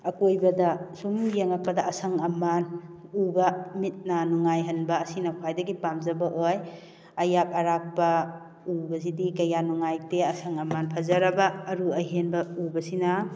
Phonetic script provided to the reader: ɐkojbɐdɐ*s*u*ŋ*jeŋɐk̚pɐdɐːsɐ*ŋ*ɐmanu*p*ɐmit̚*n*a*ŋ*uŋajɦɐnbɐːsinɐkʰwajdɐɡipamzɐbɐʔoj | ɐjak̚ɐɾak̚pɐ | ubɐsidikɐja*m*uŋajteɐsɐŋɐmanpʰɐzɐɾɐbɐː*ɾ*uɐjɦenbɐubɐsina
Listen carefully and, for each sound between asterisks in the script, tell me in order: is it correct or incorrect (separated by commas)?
correct, incorrect, correct, incorrect, correct, incorrect, incorrect, correct